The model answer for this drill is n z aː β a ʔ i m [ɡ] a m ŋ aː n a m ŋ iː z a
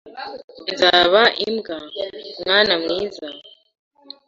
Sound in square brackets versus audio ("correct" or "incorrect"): correct